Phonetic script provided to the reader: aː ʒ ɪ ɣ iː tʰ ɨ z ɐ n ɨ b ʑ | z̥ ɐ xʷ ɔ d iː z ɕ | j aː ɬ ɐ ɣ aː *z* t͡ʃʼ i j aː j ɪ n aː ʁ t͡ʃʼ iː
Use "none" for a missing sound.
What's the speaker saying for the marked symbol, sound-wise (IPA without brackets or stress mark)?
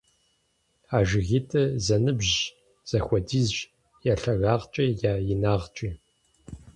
ʁ